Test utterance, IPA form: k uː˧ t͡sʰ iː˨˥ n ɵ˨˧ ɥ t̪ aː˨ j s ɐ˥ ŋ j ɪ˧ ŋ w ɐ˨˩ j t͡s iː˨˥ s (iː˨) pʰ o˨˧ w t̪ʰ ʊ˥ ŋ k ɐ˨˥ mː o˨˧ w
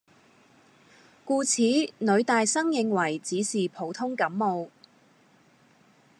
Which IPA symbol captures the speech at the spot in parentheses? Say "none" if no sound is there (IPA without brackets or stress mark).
iː˨